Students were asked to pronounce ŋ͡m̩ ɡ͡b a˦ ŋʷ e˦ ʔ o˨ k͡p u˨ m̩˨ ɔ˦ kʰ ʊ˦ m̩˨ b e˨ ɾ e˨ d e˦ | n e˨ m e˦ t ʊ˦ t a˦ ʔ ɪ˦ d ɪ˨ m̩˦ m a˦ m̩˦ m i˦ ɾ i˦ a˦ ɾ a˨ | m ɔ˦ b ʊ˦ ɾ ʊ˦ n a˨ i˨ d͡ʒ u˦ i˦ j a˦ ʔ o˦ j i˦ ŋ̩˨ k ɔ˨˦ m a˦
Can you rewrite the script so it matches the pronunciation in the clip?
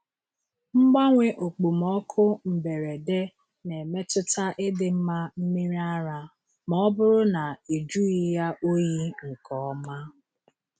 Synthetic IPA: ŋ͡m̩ ɡ͡b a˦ ŋʷ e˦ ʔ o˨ k͡p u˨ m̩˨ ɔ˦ kʰ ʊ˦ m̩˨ b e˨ ɾ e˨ d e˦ | n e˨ m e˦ t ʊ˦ t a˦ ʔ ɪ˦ d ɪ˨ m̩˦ m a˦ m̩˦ m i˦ ɾ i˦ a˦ ɾ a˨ | m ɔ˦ b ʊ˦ ɾ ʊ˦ n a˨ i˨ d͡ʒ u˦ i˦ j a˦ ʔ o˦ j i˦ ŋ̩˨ k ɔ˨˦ m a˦